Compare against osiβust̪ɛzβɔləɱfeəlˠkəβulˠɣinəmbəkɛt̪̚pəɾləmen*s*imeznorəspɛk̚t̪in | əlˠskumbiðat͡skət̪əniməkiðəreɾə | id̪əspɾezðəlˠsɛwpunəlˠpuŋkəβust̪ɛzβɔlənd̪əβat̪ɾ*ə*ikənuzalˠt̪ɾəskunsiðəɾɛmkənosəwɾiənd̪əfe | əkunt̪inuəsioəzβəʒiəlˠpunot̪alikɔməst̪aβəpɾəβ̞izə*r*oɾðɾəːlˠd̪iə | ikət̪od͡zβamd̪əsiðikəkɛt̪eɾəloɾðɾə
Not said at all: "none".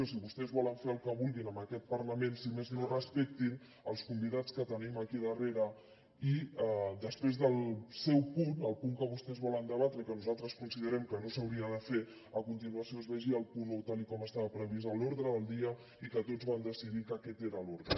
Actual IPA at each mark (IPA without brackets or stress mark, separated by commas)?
s, ə, l